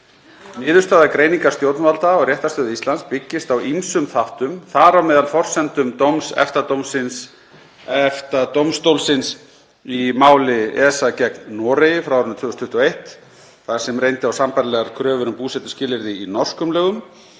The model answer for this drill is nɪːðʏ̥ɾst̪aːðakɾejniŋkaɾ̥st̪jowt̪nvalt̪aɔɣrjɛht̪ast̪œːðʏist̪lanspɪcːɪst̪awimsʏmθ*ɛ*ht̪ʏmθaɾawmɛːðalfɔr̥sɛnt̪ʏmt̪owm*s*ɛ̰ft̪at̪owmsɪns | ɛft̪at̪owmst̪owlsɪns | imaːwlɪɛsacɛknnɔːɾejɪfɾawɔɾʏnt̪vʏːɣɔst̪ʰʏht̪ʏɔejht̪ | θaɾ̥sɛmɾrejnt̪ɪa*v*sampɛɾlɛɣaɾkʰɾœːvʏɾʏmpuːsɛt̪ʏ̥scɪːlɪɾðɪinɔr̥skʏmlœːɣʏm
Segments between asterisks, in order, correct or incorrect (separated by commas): incorrect, correct, incorrect